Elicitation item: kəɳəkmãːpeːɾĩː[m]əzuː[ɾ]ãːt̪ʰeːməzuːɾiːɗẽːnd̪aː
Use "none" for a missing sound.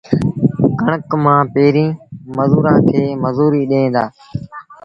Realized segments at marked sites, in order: m, ɾ

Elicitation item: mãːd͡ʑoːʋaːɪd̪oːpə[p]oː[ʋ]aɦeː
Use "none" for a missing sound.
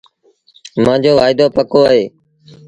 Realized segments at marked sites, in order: k, none

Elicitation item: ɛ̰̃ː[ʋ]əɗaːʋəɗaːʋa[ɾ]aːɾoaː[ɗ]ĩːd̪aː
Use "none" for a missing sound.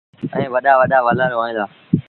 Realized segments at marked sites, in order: ʋ, l, none

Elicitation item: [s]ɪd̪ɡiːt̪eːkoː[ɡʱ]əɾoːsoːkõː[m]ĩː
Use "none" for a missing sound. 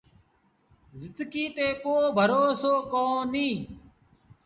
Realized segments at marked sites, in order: z, bʱ, n

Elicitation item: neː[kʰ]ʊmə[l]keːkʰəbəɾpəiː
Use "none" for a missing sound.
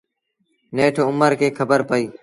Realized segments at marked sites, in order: ʈʰ, ɾ

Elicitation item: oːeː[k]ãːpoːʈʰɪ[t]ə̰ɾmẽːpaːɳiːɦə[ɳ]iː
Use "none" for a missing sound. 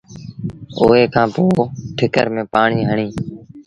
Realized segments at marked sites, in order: kʰ, k, ɳ

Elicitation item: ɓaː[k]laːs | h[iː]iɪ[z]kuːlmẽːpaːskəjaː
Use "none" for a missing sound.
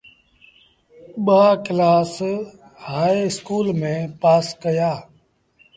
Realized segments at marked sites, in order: k, aː, s

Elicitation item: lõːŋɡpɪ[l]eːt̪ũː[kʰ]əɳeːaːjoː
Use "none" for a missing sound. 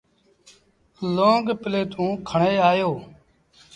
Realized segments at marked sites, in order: l, kʰ

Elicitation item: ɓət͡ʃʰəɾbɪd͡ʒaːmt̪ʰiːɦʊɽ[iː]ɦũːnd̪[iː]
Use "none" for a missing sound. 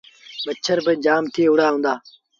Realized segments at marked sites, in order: aː, aː

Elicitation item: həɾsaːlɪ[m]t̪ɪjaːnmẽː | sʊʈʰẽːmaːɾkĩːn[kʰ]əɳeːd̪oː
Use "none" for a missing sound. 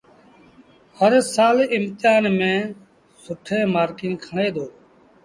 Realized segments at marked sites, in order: m, kʰ

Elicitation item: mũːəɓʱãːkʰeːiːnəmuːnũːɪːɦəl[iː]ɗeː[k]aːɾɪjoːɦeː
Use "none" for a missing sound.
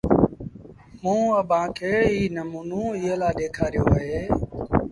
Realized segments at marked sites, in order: aː, kʰ

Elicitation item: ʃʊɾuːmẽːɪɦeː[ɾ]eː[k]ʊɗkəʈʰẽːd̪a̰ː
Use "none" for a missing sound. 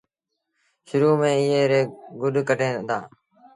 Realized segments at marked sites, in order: ɾ, ɡ

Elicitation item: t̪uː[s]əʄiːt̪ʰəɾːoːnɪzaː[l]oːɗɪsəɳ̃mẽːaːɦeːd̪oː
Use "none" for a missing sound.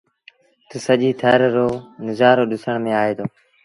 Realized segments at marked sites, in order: s, ɾ

